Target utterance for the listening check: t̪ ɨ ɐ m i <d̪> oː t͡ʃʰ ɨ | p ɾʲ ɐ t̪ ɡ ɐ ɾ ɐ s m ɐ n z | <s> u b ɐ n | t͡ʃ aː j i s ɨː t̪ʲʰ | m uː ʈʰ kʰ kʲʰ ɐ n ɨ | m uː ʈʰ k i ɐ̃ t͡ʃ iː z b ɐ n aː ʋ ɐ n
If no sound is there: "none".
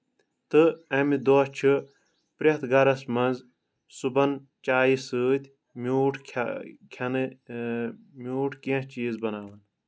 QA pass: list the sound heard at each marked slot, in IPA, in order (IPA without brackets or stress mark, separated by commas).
d̪, s